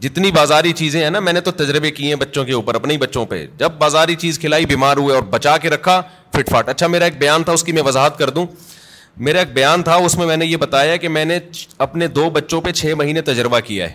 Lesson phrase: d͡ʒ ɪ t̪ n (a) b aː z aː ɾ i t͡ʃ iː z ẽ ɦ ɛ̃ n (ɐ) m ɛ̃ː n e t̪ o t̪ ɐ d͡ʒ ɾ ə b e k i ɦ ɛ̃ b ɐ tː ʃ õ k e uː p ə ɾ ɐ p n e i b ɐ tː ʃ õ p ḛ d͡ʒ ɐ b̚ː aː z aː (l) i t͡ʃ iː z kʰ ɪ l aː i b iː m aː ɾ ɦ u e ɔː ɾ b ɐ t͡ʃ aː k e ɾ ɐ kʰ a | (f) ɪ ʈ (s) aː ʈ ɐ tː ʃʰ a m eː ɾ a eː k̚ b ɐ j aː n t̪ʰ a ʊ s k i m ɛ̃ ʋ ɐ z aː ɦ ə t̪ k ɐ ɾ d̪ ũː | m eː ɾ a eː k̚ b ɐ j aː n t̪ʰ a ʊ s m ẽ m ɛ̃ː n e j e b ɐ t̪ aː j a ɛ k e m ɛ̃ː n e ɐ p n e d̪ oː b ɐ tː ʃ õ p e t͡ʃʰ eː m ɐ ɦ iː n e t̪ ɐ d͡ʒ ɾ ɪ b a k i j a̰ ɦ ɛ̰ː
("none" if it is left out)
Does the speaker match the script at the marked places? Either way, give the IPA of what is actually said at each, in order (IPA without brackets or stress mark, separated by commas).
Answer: i, a, ɾ, f, f